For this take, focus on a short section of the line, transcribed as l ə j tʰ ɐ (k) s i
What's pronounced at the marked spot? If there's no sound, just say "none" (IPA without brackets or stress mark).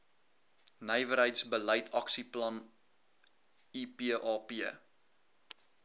k